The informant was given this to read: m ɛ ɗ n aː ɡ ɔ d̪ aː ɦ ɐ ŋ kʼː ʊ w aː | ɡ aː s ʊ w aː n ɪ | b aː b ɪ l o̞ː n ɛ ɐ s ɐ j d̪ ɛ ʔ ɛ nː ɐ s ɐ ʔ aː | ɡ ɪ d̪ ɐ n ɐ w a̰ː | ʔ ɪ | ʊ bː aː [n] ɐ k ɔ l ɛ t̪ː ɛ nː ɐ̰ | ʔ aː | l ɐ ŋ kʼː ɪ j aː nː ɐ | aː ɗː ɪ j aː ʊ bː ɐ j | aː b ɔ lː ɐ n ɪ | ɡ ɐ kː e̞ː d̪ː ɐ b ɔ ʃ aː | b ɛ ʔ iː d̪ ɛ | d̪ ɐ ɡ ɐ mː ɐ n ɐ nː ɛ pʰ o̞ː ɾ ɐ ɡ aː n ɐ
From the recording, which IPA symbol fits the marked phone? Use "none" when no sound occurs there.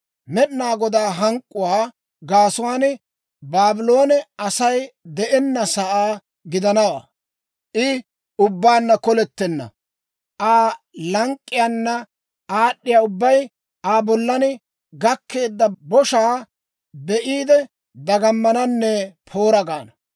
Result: nː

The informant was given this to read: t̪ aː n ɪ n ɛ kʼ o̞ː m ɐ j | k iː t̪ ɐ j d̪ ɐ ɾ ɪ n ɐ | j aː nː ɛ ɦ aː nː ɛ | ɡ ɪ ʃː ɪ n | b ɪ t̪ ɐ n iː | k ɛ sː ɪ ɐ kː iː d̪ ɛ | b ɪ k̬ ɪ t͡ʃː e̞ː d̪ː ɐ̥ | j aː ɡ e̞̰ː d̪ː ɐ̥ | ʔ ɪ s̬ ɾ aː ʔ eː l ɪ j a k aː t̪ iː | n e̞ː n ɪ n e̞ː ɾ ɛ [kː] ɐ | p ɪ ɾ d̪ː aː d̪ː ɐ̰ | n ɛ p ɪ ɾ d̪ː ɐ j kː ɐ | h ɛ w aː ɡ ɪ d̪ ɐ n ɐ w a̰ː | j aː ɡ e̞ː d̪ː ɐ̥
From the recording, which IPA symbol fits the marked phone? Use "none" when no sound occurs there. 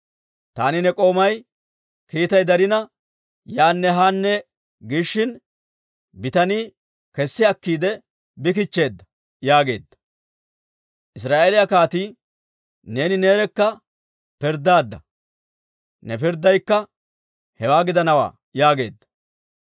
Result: kː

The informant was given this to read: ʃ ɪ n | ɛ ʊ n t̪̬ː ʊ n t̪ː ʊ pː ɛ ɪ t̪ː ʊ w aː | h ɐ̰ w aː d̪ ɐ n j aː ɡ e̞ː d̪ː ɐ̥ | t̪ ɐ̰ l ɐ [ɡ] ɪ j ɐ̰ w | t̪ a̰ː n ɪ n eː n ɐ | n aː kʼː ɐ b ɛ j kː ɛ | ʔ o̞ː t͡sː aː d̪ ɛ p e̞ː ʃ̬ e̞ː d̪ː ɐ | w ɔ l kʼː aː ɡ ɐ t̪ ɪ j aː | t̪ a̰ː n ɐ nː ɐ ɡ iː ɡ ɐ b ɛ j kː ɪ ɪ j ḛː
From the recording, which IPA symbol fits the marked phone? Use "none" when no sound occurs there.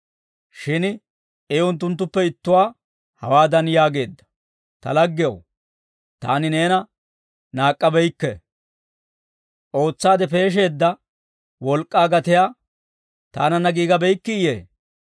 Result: ɡː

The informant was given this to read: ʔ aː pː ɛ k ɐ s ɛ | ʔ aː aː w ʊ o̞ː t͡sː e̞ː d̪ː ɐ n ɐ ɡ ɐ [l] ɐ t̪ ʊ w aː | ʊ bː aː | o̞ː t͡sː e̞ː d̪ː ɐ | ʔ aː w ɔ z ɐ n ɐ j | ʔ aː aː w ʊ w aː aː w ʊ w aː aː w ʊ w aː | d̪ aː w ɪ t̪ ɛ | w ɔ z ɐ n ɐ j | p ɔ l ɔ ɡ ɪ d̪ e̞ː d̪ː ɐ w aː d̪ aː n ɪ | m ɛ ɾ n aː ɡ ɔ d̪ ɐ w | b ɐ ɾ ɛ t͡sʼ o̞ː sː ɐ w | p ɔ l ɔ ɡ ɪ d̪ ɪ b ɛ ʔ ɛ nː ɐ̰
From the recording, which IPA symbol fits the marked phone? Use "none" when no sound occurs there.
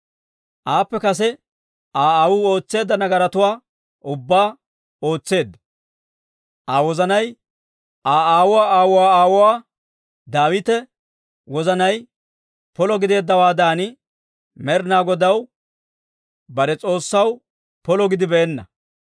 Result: ɾ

